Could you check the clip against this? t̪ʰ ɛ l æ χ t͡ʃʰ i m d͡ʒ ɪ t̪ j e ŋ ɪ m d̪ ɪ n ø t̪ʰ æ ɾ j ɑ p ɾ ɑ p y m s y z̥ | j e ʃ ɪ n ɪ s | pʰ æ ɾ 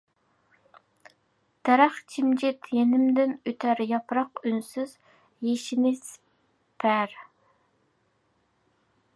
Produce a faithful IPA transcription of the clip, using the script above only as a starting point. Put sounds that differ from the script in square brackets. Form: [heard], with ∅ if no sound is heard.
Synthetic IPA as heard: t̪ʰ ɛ [ɾ] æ χ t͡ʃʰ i m d͡ʒ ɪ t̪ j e [n] ɪ m d̪ ɪ n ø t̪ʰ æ ɾ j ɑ p ɾ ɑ [q] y [n] s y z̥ | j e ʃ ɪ n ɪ s | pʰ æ ɾ